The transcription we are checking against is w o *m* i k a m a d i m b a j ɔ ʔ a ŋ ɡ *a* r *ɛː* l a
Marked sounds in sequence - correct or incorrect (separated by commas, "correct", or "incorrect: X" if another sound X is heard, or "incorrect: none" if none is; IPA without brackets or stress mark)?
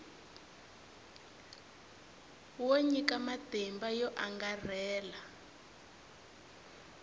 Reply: incorrect: ɲ, correct, correct